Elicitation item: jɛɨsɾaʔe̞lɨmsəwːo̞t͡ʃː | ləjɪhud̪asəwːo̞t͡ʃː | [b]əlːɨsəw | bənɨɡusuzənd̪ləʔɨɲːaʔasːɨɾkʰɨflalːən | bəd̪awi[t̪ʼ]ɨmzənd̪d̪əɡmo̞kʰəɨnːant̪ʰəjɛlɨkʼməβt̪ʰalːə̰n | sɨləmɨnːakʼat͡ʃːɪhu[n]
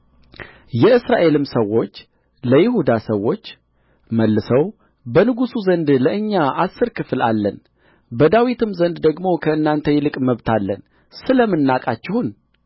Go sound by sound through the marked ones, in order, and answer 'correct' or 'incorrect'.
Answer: incorrect, incorrect, correct

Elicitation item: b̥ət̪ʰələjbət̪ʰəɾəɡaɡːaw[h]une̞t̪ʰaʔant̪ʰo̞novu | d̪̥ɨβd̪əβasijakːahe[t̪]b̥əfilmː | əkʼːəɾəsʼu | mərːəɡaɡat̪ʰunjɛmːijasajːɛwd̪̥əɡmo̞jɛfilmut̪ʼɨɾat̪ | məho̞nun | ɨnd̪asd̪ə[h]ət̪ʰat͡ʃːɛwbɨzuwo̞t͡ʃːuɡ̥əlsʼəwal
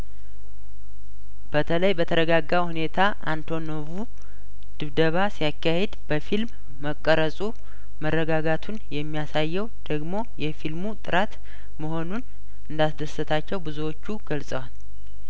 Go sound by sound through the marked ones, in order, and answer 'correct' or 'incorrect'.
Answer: correct, incorrect, incorrect

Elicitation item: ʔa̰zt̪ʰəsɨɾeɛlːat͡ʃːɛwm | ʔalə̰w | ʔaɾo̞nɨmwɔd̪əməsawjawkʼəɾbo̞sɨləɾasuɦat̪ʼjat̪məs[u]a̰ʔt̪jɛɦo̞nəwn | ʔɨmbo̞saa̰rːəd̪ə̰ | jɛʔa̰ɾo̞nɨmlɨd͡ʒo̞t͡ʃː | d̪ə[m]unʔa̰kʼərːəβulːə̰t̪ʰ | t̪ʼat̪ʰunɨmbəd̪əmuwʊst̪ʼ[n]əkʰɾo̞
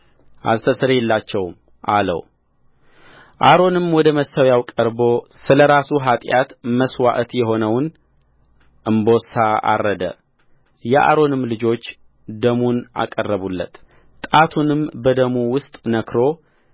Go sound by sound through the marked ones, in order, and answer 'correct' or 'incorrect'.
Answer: incorrect, correct, correct

